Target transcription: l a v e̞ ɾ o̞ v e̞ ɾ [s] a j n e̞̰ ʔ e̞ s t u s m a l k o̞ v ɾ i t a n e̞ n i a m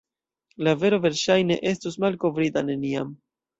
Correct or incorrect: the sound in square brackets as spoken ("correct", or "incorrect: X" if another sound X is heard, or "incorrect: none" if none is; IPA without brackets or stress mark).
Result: incorrect: ʃ